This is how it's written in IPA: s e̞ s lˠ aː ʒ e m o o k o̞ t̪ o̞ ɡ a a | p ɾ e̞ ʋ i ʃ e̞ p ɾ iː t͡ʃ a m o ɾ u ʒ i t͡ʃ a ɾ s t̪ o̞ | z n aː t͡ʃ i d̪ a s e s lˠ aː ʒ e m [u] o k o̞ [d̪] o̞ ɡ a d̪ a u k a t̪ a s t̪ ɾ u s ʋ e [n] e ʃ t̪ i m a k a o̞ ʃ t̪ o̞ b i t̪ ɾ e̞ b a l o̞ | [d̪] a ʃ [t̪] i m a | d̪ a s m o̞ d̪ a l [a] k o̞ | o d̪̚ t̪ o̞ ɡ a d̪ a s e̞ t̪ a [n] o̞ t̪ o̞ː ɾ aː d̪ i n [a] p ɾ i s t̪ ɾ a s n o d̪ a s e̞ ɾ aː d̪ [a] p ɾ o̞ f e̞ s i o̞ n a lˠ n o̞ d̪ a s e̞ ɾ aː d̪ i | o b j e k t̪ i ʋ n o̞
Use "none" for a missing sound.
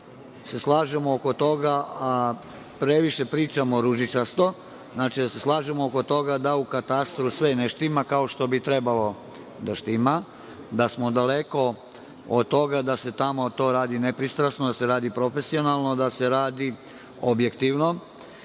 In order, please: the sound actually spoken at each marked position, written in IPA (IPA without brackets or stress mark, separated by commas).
o, t̪, n, d̪, t̪, e, m, e, i